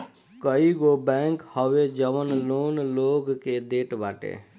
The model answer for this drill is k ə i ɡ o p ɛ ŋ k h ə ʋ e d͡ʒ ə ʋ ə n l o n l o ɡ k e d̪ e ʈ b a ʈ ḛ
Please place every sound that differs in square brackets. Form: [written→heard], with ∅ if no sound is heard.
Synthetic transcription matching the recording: k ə i ɡ o [p→b] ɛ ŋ k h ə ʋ e d͡ʒ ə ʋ ə n l o n l o ɡ k e d̪ e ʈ b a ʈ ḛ